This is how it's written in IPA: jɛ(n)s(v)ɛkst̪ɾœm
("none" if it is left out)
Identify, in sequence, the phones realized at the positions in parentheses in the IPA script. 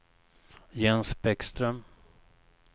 n, b

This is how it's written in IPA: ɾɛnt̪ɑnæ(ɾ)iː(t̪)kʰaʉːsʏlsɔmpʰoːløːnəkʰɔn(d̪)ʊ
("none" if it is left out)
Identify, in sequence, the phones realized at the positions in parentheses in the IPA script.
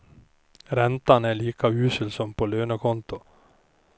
ɭ, none, t̪

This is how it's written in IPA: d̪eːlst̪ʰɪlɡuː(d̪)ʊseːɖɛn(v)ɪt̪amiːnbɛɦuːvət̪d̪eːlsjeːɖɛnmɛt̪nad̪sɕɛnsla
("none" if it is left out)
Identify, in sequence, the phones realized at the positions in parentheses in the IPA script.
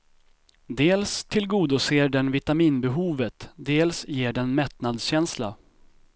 d̪, v

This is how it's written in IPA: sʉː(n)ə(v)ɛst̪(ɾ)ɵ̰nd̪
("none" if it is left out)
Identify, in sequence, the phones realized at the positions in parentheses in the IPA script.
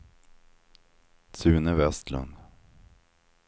n, v, l

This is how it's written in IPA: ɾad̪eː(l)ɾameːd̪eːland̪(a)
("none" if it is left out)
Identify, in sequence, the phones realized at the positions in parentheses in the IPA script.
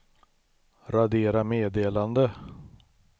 none, ə

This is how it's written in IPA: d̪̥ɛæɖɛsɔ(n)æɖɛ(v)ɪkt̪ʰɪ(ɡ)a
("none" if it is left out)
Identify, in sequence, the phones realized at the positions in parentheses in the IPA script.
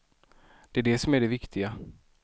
m, v, ɡ

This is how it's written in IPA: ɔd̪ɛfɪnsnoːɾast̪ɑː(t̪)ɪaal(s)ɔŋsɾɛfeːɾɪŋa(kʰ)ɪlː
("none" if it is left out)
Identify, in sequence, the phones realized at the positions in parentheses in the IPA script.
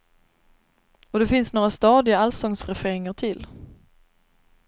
d̪, s, ʈʰ

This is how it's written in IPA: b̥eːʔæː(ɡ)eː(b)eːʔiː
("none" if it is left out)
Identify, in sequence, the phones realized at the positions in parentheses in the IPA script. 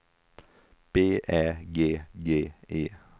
ɡ, ɡ

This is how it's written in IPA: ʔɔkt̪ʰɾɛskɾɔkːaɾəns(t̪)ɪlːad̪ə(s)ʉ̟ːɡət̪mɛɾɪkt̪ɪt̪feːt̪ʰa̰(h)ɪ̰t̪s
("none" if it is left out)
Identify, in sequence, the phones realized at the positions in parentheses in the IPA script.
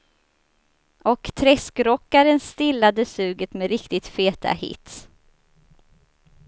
t̪, s, h

